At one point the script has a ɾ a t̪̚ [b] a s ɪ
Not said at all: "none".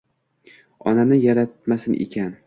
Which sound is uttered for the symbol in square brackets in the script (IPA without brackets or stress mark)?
m